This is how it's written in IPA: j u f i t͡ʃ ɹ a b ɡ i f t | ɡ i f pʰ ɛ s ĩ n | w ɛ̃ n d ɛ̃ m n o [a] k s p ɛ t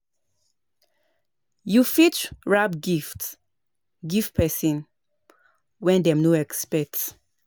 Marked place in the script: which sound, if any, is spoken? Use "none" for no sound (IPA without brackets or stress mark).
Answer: ɛ